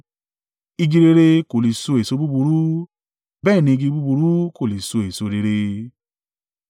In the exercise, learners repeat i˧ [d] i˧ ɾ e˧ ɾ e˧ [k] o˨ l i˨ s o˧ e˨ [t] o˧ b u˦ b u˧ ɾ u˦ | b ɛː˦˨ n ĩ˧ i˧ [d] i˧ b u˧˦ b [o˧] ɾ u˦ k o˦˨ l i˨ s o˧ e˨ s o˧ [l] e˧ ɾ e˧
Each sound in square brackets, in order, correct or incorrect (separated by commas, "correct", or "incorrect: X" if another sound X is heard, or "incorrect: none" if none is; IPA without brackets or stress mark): incorrect: ɡ, correct, incorrect: s, incorrect: ɡ, incorrect: u˧, incorrect: ɾ